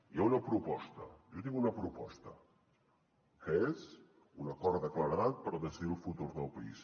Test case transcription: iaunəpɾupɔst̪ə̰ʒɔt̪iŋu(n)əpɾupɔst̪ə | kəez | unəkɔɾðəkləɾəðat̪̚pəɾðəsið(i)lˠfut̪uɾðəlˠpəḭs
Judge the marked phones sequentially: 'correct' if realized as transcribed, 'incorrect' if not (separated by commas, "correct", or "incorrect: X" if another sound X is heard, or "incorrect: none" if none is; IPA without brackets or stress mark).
correct, correct